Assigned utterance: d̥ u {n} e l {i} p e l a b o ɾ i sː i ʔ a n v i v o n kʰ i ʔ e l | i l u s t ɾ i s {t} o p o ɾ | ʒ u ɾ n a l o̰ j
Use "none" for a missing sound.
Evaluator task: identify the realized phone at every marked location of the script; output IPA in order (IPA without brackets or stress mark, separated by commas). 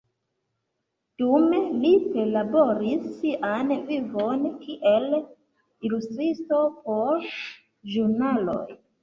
m, i, t